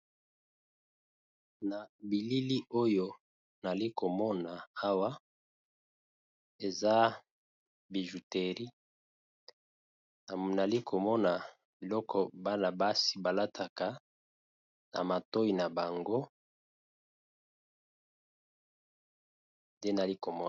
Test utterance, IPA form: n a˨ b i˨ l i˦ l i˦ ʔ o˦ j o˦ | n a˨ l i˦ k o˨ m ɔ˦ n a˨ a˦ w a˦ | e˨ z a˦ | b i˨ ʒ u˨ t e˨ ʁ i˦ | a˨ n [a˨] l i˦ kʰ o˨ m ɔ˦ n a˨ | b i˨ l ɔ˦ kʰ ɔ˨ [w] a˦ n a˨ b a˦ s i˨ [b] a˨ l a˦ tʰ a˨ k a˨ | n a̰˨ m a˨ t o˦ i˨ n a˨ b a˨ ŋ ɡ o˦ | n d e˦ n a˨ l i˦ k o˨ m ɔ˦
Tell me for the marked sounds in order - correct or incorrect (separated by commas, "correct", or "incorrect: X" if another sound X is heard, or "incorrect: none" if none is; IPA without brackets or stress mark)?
correct, incorrect: b, correct